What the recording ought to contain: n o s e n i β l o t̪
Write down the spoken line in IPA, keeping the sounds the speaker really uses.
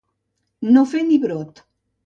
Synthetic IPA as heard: n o f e n i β ɾ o t̪